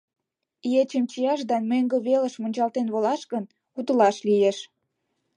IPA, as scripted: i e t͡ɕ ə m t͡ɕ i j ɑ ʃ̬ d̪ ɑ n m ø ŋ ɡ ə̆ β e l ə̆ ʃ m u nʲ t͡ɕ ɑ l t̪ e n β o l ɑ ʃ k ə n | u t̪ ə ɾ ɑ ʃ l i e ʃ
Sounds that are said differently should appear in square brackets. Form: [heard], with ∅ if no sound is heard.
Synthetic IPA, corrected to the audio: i e t͡ɕ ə m t͡ɕ i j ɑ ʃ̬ d̪ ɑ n m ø ŋ ɡ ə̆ β e l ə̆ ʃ m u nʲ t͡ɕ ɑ l t̪ e n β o l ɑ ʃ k ə n | u t̪ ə [l] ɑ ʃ l i e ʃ